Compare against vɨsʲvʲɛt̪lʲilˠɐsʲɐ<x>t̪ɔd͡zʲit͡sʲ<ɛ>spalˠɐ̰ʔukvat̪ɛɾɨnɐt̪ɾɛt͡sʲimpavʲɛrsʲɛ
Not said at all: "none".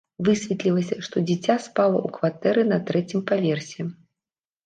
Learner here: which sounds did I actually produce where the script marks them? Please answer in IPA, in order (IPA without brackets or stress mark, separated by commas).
ʂ, a